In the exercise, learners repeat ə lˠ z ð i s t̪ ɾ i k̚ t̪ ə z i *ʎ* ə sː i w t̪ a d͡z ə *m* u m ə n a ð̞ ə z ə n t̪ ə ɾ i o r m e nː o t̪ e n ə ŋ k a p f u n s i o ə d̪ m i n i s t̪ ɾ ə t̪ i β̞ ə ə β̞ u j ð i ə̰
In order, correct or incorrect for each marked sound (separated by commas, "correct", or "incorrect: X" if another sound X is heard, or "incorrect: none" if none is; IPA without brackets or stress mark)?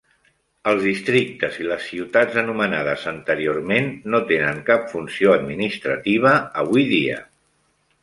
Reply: incorrect: l, incorrect: n